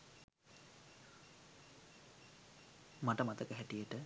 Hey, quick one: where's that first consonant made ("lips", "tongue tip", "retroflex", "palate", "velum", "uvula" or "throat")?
lips